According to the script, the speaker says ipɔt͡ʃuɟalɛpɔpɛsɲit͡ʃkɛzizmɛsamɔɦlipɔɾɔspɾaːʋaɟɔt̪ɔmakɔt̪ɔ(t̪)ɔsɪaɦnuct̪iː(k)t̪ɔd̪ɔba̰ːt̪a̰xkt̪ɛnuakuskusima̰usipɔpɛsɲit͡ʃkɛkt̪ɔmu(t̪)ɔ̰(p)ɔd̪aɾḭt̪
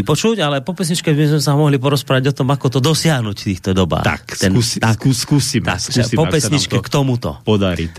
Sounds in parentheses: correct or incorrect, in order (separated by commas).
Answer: incorrect, incorrect, correct, correct